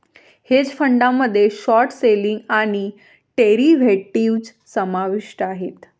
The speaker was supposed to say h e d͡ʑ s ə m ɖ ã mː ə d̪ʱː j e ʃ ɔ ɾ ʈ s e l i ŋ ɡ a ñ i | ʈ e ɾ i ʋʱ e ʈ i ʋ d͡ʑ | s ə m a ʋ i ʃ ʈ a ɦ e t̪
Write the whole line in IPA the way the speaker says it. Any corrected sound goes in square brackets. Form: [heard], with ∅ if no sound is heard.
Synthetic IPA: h e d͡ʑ [f] ə [ɳ] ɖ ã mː ə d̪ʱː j e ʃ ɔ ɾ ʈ s e l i ŋ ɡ a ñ i | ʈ e ɾ i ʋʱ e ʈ i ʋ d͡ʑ | s ə m a ʋ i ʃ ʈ a ɦ e t̪